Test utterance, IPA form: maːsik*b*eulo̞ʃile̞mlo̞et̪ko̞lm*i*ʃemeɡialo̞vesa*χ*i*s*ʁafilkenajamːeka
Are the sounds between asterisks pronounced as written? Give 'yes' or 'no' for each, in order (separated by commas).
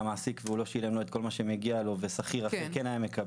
no, no, yes, no